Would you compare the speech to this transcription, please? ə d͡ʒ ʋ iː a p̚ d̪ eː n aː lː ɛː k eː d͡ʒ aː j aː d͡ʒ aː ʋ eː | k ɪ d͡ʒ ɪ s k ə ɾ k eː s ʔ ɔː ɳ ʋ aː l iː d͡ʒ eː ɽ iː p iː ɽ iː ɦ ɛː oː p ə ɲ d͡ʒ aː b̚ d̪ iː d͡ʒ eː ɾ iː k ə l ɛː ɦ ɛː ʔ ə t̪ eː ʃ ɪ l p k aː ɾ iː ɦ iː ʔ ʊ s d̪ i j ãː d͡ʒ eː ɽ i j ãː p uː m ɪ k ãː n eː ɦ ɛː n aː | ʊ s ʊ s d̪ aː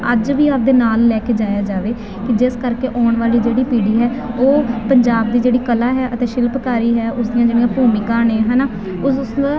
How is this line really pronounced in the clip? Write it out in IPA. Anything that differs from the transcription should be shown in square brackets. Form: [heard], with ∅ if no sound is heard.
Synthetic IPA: ə d͡ʒ ʋ iː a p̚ d̪ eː n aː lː ɛː k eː d͡ʒ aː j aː d͡ʒ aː ʋ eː | k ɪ d͡ʒ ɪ s k ə ɾ k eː [∅] ʔ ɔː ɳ ʋ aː l iː d͡ʒ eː ɽ iː p iː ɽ iː ɦ ɛː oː p ə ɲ d͡ʒ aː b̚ d̪ iː d͡ʒ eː [ɽ] iː k ə l [aː] ɦ ɛː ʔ ə t̪ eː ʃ ɪ l p k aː ɾ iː ɦ [ɛː] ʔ ʊ s d̪ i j ãː d͡ʒ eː ɽ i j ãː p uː m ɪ k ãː n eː ɦ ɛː n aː | ʊ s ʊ s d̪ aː

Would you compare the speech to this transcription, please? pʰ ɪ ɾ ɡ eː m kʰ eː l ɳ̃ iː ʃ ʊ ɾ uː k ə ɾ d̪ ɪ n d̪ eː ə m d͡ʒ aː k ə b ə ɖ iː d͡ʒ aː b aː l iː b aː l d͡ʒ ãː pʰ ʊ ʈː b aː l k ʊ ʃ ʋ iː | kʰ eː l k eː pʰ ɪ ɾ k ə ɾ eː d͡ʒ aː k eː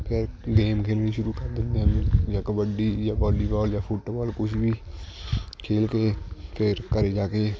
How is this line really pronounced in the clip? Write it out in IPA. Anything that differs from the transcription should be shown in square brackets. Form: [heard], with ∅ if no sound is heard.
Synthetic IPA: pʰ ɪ ɾ ɡ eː m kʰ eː l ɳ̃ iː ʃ ʊ ɾ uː k ə ɾ d̪ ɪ n d̪ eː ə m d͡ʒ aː k ə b ə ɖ iː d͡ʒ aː b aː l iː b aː l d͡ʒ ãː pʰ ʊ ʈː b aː l k ʊ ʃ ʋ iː | kʰ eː l k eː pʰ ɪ ɾ k ə ɾ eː d͡ʒ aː k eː

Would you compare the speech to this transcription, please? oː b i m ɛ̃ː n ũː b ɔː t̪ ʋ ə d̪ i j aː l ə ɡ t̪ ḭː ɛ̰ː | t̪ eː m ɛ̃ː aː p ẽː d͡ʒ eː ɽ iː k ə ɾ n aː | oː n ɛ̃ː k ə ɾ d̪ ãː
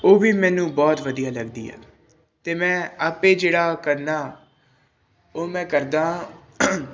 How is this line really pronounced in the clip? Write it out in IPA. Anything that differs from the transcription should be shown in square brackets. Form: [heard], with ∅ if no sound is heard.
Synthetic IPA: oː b [iː] m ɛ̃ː n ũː b ɔː t̪ ʋ ə d̪ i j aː l ə ɡ [d̪] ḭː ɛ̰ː | t̪ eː m ɛ̃ː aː p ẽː d͡ʒ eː ɽ [aː] k ə ɾ n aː | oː [m] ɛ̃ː k ə ɾ d̪ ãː

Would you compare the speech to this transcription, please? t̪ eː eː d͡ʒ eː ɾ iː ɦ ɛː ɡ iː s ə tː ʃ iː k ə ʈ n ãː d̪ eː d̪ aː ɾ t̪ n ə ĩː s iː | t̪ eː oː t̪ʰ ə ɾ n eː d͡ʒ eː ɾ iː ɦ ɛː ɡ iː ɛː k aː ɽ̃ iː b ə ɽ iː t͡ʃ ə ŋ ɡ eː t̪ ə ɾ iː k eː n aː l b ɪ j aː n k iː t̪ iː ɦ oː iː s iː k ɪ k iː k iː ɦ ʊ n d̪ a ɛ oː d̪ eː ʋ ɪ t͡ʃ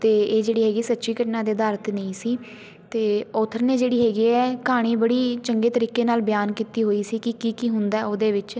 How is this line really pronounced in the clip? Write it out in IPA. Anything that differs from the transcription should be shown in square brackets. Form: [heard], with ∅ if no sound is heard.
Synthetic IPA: t̪ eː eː d͡ʒ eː [ɽ] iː ɦ ɛː ɡ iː s ə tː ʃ iː k ə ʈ n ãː d̪ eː d̪ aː ɾ t̪ n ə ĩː s iː | t̪ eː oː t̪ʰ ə ɾ n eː d͡ʒ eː [ɽ] iː ɦ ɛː ɡ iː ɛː k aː ɽ̃ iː b ə ɽ iː t͡ʃ ə ŋ ɡ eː t̪ ə ɾ iː k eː n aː l b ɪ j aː n k iː t̪ iː ɦ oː iː s iː k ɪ k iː k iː ɦ ʊ n d̪ a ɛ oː d̪ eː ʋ ɪ t͡ʃ

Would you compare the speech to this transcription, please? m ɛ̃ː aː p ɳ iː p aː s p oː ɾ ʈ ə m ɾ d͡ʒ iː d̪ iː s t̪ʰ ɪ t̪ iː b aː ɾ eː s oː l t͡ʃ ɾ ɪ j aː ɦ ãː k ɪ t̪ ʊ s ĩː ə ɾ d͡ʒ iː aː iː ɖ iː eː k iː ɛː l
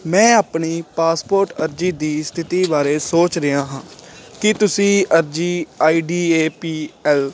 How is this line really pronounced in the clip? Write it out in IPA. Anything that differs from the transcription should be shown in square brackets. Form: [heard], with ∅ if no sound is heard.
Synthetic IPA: m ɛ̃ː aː p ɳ iː p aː s p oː ɾ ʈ ə [∅] ɾ d͡ʒ iː d̪ iː s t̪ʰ ɪ t̪ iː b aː ɾ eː s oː [∅] t͡ʃ ɾ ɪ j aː ɦ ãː k ɪ t̪ ʊ s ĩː ə ɾ d͡ʒ iː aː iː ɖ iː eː [p] iː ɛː l

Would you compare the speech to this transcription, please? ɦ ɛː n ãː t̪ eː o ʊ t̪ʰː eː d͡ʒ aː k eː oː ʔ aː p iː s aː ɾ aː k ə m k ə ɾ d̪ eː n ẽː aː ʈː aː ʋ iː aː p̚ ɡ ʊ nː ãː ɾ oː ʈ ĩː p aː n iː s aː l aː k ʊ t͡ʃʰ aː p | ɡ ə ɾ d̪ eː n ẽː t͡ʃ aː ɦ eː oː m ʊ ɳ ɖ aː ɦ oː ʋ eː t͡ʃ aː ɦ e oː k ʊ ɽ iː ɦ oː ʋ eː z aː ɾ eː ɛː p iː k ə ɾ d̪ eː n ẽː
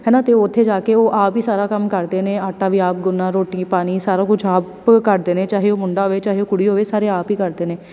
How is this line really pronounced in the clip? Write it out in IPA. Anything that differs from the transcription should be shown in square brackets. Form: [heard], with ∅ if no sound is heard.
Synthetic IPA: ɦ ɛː n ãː t̪ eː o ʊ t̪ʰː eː d͡ʒ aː k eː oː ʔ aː p iː s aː ɾ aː k ə m k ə ɾ d̪ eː n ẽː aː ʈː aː ʋ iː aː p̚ ɡ ʊ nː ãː ɾ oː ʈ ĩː p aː n iː s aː [ɾ] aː k ʊ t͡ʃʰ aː p | [k] ə ɾ d̪ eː n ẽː t͡ʃ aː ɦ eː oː m ʊ ɳ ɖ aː ɦ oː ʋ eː t͡ʃ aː ɦ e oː k ʊ ɽ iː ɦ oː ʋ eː [s] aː ɾ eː [aː] p iː k ə ɾ d̪ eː n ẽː

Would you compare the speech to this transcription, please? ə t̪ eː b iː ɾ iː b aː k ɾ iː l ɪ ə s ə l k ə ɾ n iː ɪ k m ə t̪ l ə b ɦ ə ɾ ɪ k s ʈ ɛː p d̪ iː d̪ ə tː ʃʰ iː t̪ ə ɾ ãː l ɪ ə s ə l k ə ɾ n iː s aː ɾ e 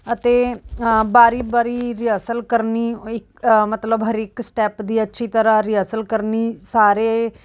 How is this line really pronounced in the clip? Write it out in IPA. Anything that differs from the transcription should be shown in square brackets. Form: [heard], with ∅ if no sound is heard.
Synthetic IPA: ə t̪ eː b [aː] ɾ iː b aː [∅] ɾ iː [ɾ] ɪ ə s ə l k ə ɾ n iː ɪ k m ə t̪ l ə b ɦ ə ɾ ɪ k s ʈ ɛː p d̪ iː [∅] ə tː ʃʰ iː t̪ ə ɾ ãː [ɾ] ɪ ə s ə l k ə ɾ n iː s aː ɾ e

